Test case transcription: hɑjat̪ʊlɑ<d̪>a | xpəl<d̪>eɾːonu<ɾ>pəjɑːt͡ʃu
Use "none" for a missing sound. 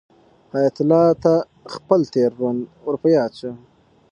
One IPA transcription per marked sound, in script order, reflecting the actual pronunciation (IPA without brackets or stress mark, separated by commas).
t̪, t̪, ɾ